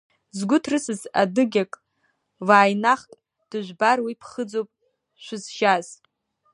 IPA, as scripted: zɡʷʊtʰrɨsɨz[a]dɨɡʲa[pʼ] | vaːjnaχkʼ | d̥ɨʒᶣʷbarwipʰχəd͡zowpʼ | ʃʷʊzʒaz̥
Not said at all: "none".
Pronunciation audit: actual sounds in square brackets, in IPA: a, kʼ

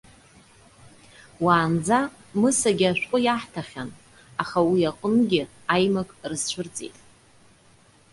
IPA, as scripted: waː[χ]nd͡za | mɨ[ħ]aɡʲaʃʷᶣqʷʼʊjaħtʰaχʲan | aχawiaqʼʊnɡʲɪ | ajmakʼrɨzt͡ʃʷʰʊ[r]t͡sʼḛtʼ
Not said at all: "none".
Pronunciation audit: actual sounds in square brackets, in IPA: none, s, r

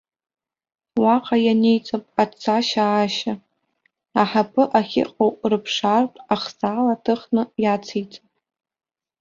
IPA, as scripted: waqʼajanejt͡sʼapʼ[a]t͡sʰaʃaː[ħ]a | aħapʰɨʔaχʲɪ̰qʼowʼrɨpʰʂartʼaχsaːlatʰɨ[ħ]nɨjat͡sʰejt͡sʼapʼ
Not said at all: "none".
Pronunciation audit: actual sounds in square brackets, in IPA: a, ʃ, χ

